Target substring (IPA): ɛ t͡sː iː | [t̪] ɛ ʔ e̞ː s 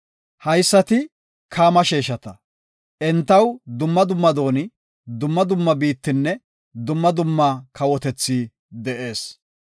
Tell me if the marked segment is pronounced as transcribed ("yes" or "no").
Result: no